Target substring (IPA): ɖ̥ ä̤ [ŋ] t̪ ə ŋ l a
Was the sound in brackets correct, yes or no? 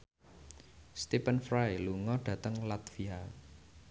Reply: no